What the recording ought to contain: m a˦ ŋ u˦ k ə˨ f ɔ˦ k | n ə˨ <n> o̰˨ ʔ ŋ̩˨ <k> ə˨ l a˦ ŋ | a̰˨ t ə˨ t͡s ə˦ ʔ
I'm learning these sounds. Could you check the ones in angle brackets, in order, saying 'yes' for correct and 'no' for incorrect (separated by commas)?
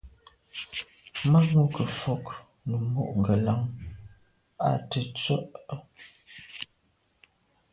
no, no